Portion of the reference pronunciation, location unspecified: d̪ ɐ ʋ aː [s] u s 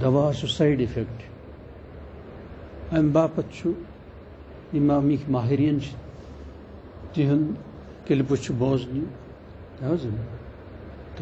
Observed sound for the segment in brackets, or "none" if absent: s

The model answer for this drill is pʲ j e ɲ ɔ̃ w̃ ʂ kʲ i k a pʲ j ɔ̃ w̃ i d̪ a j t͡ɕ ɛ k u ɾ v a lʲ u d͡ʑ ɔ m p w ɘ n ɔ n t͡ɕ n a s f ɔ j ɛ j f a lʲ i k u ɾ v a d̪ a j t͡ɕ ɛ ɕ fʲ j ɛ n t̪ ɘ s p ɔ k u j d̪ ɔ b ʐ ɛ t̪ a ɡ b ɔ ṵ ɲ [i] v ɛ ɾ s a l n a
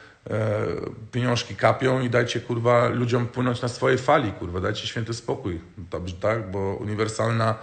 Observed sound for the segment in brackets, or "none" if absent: i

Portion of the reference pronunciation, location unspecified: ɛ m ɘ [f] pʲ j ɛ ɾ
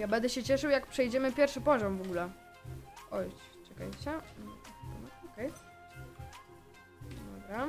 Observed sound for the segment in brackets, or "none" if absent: none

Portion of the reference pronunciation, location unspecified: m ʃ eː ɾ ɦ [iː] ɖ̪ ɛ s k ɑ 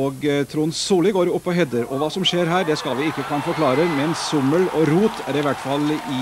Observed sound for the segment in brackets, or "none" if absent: æː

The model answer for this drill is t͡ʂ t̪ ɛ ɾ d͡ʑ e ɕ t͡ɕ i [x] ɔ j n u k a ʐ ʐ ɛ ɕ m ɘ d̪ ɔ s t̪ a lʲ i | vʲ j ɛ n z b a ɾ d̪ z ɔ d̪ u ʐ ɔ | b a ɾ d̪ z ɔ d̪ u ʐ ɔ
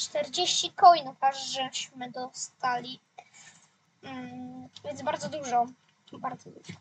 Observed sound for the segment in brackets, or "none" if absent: k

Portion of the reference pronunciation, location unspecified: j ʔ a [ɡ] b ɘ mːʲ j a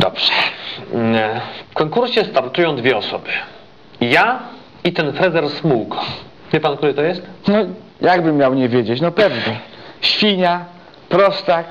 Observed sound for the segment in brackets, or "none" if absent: ɡ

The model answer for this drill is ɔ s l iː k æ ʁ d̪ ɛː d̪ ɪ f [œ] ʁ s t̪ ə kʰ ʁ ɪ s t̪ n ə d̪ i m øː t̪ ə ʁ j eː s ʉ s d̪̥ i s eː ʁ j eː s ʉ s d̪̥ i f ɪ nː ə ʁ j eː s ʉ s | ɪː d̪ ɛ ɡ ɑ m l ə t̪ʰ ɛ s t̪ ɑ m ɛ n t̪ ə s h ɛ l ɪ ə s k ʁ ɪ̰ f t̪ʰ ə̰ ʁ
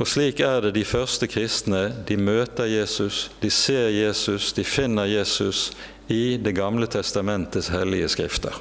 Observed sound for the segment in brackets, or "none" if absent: œ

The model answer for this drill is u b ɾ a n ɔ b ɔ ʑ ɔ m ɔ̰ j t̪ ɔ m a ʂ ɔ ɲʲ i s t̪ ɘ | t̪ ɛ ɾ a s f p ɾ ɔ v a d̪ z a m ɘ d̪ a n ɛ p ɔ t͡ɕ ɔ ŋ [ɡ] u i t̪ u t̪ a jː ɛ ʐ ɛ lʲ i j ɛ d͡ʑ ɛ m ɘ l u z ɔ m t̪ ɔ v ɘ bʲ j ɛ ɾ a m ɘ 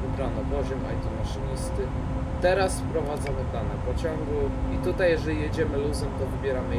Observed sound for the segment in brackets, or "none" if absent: ɡ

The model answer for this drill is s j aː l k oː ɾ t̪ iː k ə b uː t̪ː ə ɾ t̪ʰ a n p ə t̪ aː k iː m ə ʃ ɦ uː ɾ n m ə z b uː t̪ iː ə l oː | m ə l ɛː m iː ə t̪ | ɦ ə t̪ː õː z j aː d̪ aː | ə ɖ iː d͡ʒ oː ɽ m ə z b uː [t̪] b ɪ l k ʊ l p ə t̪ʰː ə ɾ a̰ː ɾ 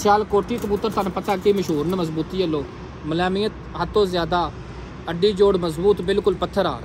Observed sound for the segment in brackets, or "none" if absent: t̪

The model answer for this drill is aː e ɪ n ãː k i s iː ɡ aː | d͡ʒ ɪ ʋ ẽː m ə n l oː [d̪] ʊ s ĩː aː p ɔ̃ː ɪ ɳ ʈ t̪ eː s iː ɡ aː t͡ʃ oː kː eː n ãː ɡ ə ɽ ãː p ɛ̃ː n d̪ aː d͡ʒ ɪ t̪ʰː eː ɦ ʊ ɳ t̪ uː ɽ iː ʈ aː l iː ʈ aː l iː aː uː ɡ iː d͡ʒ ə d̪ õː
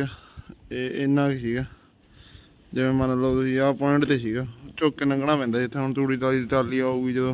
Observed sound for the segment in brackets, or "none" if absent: t̪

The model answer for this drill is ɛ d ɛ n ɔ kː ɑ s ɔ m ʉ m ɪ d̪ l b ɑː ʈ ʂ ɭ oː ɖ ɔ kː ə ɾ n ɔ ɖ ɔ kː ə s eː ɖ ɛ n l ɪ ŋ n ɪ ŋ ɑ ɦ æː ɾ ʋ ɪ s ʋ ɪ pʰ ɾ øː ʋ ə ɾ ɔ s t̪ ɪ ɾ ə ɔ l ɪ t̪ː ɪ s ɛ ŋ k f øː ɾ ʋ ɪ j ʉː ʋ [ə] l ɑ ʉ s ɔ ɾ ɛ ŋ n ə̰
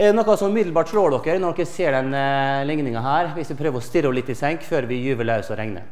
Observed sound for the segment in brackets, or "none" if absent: ə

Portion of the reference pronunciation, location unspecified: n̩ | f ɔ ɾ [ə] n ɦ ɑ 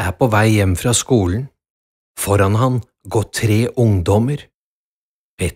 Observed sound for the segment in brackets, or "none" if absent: ɑ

